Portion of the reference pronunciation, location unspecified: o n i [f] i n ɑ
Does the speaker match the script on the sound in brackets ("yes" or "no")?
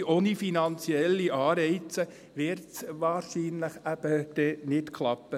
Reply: yes